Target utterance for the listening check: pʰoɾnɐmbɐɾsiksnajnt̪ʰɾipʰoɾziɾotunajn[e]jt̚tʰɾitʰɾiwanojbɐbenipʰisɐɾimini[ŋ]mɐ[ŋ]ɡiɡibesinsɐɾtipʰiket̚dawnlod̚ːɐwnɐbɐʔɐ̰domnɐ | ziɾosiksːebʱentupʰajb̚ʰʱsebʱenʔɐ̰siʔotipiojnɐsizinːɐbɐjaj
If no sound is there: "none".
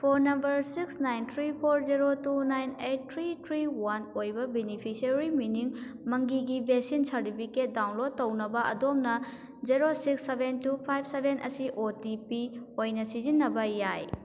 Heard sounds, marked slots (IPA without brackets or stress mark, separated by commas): e, ŋ, ŋ